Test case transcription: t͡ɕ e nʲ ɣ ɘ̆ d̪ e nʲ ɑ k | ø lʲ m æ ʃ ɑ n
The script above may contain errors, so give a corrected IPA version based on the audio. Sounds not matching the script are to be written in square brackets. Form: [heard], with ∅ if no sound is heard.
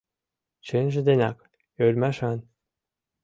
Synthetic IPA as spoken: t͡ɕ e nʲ [ʒ] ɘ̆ d̪ e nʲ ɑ k | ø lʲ m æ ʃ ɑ n